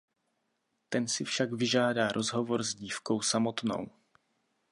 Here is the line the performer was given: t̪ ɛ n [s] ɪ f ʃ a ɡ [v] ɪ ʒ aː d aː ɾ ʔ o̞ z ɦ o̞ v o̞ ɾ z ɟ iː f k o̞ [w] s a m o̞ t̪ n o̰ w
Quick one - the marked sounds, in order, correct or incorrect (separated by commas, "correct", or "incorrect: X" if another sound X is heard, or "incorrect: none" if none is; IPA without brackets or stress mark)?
correct, correct, correct